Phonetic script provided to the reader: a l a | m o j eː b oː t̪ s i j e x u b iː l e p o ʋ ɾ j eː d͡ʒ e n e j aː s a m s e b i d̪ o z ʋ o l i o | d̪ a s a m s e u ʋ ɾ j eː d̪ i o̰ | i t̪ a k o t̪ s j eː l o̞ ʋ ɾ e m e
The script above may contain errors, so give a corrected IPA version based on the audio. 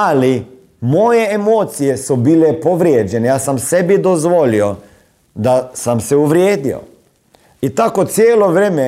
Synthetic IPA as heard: a l i | m o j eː m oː t̪ s i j e s u b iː l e p o ʋ ɾ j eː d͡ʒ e n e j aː s a m s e b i d̪ o z ʋ o l i o | d̪ a s a m s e u ʋ ɾ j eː d̪ i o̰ | i t̪ a k o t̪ s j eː l o̞ ʋ ɾ e m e